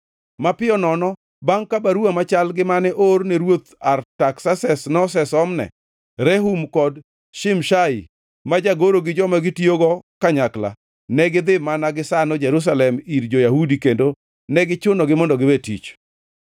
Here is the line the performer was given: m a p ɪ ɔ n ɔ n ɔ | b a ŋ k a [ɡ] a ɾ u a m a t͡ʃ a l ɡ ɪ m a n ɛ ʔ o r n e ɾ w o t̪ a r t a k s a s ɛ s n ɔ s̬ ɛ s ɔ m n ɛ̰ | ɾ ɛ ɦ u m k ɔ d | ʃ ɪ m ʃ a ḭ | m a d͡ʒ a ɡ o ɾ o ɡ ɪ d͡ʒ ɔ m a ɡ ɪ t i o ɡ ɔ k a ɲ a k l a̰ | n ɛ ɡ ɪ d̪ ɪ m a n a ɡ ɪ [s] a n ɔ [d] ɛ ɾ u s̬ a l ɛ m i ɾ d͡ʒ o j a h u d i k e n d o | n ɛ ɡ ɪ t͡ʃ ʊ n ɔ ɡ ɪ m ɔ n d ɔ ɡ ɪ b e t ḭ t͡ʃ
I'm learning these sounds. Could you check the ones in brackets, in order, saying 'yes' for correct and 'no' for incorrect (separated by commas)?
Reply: no, yes, no